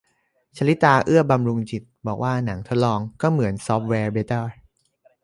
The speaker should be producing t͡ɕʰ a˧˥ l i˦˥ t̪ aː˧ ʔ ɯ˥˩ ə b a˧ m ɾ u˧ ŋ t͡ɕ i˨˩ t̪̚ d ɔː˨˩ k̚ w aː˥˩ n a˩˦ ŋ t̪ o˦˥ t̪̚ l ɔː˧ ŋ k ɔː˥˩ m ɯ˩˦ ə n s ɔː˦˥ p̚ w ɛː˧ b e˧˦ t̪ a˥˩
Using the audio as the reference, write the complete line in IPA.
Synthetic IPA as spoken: t͡ɕʰ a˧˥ l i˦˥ t̪ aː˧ ʔ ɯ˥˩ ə b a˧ m ɾ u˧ ŋ t͡ɕ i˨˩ t̪̚ b ɔː˨˩ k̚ w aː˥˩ n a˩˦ ŋ t̪ʰ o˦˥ t̪̚ l ɔː˧ ŋ k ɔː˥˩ m ɯ˩˦ ə n s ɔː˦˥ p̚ w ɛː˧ b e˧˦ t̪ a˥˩